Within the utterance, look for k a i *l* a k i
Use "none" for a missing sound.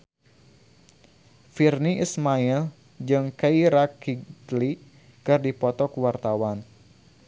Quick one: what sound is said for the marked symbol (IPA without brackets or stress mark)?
ɾ